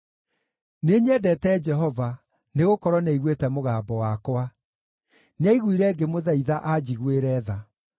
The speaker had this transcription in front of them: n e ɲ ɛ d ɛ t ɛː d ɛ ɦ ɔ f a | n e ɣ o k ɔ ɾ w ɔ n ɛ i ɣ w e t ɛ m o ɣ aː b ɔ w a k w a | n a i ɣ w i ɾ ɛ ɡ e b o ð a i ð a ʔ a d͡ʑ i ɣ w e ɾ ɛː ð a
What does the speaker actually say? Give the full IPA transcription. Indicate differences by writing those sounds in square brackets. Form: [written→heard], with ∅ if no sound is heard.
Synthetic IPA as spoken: n e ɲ ɛ d ɛ t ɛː [d→d͡ʒ] ɛ ɦ ɔ [f→v] a | n e ɣ o k ɔ ɾ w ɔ n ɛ i ɣ w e t ɛ m o ɣ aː b ɔ w a k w a | n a i ɣ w i ɾ ɛ ɡ e [b→m] o ð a i ð a ʔ a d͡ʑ i ɣ w e ɾ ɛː ð a